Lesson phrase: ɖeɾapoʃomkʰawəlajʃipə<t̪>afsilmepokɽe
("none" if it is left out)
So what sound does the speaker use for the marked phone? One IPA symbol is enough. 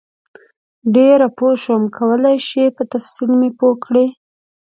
t̪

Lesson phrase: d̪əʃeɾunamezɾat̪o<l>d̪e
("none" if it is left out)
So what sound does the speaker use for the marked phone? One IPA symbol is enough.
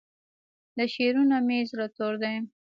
ɾ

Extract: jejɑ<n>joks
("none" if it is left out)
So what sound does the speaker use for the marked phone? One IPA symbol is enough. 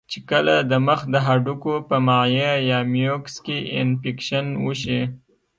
m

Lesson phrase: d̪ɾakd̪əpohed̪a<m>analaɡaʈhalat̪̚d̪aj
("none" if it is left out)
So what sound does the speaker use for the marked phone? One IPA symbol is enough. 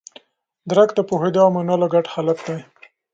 m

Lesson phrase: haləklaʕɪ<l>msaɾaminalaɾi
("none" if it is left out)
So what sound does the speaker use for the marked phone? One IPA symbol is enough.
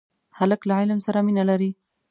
l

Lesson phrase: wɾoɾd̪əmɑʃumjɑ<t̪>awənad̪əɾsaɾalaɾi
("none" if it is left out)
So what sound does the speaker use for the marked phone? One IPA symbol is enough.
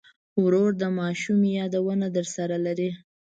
d̪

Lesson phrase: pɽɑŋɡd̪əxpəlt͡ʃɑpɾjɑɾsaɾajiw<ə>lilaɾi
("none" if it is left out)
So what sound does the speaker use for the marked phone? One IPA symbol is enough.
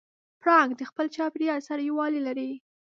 ɑ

